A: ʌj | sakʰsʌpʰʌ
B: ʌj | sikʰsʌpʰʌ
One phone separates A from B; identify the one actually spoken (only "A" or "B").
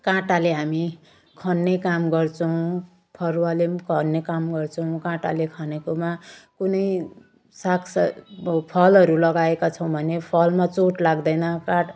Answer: A